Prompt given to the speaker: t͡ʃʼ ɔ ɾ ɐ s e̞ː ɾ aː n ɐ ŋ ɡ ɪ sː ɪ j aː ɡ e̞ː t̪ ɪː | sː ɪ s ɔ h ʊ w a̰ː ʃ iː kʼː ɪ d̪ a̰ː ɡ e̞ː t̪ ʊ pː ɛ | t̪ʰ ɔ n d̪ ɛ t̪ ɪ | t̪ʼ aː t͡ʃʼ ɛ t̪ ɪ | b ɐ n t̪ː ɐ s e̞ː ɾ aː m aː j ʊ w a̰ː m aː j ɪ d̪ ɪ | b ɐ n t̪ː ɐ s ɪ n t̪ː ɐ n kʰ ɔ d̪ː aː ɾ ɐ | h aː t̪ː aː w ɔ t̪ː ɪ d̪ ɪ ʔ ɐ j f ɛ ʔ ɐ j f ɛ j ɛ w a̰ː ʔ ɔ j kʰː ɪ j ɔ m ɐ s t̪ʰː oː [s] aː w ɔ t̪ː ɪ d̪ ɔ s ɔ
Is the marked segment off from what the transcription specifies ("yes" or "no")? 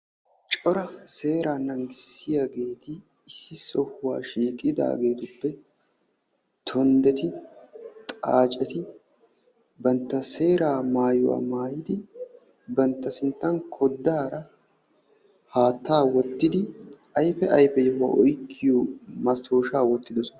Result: yes